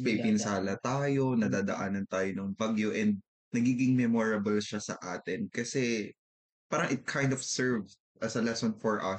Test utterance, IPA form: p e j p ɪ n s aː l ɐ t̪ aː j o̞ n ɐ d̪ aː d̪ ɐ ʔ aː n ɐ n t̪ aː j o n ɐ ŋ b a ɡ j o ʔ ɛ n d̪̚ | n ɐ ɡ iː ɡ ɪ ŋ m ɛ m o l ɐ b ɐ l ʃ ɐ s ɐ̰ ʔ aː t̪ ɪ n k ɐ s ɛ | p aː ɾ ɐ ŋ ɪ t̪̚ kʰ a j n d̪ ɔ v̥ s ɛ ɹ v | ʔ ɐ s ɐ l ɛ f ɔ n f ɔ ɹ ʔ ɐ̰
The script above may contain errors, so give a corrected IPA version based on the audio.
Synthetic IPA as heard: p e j p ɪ n s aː l ɐ t̪ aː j o̞ n ɐ d̪ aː d̪ ɐ ʔ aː n ɐ n t̪ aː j o n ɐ ŋ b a ɡ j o ʔ ɛ n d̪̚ | n ɐ ɡ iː ɡ ɪ ŋ m ɛ m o ɹ ɐ b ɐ l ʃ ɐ s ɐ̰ ʔ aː t̪ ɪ n k ɐ s ɛ | p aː ɾ ɐ ŋ ɪ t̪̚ kʰ a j n d̪ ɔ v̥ s ɛ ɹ v | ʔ ɐ s ɐ l ɛ s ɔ n f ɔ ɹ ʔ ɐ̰